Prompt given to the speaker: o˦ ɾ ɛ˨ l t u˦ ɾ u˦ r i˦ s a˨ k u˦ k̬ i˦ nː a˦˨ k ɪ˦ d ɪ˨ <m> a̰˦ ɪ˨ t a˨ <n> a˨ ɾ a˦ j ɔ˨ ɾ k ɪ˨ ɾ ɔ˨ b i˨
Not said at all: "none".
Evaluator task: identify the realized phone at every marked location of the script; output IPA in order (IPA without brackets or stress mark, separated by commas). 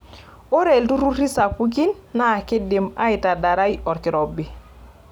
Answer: m, d